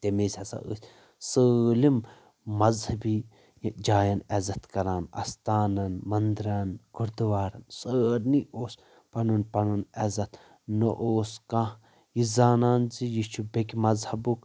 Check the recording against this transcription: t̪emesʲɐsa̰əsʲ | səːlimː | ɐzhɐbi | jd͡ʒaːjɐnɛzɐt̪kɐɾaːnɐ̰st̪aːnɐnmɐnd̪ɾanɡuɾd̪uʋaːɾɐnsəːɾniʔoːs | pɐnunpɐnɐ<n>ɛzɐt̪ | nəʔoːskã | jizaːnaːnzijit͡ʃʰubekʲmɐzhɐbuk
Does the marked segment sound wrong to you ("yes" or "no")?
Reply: no